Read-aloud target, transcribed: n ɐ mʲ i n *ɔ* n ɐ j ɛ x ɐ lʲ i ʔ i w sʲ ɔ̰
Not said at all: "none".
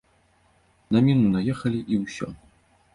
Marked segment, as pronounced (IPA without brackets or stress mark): u